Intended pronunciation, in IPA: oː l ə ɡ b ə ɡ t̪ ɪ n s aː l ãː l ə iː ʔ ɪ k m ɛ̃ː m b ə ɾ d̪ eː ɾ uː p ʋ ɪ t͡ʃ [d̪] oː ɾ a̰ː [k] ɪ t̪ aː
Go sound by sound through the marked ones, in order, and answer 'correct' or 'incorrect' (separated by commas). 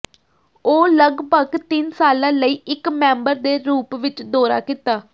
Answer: correct, correct